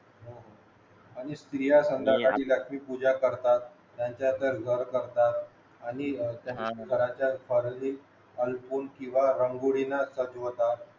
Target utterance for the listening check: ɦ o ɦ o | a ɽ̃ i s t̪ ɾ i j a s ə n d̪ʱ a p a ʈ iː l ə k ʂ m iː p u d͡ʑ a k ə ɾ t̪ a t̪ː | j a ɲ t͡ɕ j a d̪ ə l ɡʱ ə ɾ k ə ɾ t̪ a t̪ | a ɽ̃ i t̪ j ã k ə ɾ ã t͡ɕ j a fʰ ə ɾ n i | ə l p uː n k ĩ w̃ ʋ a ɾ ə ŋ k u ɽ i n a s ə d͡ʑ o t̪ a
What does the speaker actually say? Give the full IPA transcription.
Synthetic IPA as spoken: ɦ o ɦ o | a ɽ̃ i s t̪ ɾ i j a s ə n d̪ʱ a k a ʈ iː l ə k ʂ m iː p u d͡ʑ a k ə ɾ t̪ a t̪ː | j a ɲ t͡ɕ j a d̪ ə ɾ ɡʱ ə ɾ k ə ɾ t̪ a t̪ | a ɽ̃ i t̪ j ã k ə ɾ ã t͡ɕ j a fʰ ə ɾ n i | ə l p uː n k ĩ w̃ ʋ a ɾ ə ŋ ɡ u ɽ i n a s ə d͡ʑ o t̪ a